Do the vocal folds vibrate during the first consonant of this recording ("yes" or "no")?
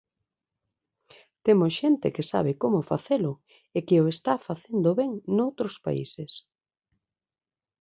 no